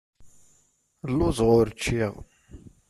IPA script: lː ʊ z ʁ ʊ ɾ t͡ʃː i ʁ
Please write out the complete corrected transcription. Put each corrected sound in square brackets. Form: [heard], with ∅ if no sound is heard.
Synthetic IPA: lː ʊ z ʁ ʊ ɾ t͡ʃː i ʁ